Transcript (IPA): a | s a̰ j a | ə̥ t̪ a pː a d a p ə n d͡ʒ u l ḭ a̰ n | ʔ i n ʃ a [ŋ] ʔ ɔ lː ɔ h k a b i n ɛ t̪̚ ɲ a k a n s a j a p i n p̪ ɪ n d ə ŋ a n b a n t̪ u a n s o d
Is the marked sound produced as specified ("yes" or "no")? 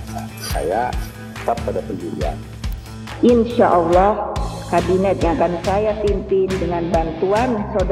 no